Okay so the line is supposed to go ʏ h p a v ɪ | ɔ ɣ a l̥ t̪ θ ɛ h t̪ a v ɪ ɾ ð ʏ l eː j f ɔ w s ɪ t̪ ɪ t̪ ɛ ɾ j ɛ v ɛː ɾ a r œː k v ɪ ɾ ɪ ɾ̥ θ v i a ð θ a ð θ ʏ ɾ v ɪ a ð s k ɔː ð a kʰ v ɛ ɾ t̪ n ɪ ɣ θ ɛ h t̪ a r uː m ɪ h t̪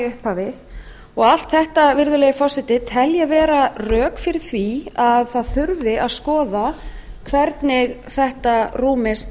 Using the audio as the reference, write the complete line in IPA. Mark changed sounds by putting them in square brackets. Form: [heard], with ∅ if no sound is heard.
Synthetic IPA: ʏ h p a v ɪ | ɔ ɣ a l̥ t̪ θ ɛ h t̪ a v ɪ ɾ ð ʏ l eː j f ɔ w s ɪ t̪ ɪ [t̪ʰ] ɛ [l] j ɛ v ɛː ɾ a r œː k [f] ɪ ɾ ɪ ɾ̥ θ v i a ð θ a ð θ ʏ ɾ v ɪ a ð s k ɔː ð a kʰ v ɛ ɾ t̪ n ɪ ɣ θ ɛ h t̪ a r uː m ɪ [s] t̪